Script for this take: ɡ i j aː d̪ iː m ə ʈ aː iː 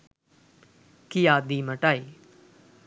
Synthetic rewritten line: k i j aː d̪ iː m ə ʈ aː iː